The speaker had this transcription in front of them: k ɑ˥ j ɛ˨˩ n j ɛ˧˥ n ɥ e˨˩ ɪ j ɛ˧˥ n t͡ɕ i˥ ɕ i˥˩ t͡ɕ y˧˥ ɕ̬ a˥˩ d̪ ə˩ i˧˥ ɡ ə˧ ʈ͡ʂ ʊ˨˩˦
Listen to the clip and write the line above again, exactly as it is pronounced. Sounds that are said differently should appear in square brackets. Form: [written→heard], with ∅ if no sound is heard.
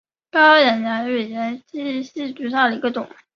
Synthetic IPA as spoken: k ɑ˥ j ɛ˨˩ n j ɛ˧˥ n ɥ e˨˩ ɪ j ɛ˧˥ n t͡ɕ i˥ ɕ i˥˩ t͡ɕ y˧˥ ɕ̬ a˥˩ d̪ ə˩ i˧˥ ɡ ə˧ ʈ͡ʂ ʊ˨˩˦